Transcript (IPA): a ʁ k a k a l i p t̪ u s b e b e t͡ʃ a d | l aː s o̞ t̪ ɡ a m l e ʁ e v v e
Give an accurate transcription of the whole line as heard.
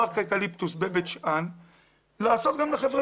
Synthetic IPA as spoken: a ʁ k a k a l i p t̪ u s b e b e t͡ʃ a n | l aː s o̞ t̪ ɡ a m l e χ e v ʁ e